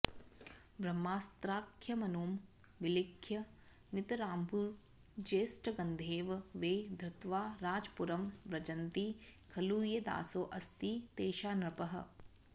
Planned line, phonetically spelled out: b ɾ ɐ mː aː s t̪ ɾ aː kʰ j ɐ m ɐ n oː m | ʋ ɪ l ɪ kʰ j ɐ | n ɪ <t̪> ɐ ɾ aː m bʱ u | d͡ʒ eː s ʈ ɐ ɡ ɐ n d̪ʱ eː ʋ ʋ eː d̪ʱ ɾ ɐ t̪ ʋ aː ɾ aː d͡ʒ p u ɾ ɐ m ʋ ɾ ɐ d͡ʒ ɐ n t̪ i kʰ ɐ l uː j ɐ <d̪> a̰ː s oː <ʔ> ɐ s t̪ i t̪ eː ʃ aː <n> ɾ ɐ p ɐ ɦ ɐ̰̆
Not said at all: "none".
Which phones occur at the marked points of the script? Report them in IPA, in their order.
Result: t̪, d̪, ʔ, n

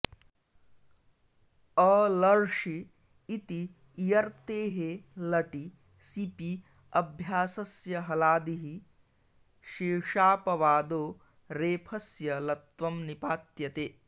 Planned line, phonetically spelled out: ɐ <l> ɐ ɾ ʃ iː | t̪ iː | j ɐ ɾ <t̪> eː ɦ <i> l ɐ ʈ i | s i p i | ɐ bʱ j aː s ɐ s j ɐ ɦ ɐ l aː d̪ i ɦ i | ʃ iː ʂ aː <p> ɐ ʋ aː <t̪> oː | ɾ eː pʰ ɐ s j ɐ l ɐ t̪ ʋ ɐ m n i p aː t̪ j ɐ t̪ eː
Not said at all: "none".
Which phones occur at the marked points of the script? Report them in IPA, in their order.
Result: l, t̪, e, p, d̪

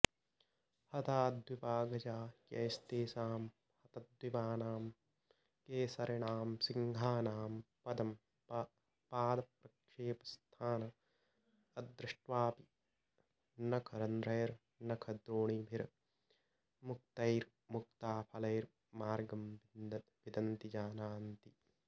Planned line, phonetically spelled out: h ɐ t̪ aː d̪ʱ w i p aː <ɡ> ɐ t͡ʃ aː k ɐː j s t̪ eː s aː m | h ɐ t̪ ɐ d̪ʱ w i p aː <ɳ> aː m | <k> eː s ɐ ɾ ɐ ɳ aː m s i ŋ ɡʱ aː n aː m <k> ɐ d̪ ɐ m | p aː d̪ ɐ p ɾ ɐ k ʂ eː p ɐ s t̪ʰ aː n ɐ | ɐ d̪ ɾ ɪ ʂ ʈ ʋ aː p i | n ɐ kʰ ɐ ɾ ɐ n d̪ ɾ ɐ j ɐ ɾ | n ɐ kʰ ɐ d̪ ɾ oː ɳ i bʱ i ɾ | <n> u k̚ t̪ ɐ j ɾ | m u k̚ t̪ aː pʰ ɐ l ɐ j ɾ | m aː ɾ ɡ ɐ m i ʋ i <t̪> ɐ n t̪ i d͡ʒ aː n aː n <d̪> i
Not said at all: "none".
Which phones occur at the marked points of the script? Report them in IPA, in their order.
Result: ɡ, n, k, p, m, d̪, t̪

